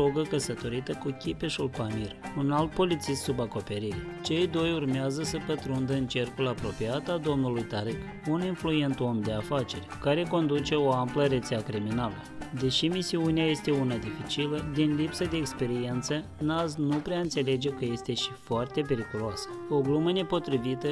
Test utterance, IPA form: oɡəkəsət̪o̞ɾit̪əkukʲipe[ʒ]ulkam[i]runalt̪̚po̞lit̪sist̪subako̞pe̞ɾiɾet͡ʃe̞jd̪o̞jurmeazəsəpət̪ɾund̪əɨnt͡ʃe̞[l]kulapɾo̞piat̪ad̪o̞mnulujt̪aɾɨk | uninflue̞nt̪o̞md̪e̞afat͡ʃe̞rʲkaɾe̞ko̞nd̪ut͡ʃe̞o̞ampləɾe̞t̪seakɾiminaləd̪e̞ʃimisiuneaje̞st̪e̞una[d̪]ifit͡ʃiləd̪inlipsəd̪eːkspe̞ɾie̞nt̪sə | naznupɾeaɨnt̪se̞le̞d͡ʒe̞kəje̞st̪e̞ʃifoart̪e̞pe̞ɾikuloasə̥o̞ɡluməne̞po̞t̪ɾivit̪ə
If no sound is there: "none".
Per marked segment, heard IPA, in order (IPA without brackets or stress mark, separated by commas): ʃ, i, r, d̪